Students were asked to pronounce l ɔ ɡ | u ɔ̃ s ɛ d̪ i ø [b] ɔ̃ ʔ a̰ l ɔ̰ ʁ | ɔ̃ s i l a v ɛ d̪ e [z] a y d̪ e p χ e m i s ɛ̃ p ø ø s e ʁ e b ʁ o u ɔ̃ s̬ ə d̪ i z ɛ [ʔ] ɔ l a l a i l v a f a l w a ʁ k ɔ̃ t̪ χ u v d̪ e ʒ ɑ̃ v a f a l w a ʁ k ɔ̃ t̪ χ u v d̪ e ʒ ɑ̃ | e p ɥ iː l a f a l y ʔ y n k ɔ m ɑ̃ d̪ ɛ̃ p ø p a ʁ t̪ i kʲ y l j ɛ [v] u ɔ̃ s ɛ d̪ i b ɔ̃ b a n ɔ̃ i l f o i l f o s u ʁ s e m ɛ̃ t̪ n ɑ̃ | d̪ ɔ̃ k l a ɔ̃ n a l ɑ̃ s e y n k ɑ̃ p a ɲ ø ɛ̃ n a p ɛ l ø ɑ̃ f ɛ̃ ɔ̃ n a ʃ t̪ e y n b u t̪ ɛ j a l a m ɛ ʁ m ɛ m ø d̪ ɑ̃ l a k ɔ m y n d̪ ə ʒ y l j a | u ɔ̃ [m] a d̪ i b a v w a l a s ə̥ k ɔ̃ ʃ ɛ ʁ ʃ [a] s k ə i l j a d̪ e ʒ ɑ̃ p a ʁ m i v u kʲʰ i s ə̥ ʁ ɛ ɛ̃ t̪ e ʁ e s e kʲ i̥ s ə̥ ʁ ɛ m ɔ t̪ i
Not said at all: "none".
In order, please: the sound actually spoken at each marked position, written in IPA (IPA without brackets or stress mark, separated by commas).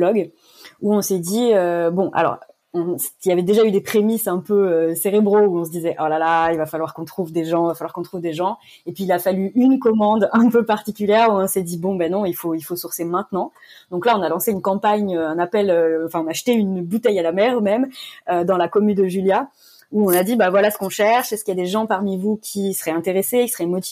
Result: b, ʒ, ʔ, ʁ, n, ɛ